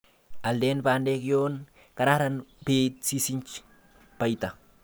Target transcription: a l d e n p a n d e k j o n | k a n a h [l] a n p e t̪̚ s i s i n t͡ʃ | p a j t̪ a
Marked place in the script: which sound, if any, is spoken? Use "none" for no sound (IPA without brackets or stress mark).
ɾ